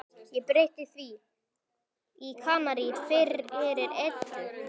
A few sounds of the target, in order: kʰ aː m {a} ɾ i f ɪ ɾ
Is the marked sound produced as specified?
yes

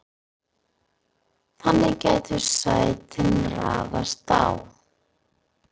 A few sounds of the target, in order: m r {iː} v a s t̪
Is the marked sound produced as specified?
no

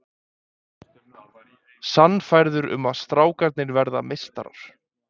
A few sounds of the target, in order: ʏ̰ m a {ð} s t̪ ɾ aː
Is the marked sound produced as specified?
yes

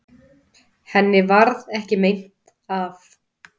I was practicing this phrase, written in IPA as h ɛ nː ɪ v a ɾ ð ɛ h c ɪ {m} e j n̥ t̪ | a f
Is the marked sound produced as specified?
yes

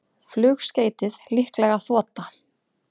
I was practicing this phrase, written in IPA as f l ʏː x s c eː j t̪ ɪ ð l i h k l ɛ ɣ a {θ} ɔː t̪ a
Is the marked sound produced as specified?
yes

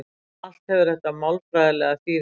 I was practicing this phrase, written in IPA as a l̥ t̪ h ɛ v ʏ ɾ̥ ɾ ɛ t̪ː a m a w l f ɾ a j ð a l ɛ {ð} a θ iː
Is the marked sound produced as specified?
no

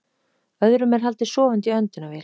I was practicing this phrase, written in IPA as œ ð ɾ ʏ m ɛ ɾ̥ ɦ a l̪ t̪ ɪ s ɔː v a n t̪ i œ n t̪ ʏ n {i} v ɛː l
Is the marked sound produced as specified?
no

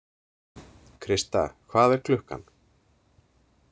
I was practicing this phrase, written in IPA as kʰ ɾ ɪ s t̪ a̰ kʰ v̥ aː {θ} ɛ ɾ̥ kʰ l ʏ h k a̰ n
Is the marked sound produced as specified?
no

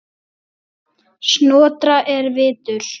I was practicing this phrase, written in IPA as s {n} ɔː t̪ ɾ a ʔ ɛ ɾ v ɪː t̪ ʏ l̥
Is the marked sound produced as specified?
yes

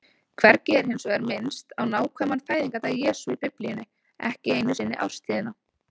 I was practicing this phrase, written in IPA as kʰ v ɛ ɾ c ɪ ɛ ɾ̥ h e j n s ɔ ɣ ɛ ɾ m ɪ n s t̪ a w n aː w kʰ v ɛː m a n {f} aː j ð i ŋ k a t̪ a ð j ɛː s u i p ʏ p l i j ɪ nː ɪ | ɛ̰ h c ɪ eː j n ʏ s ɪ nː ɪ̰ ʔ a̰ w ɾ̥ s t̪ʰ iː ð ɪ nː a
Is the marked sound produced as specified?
yes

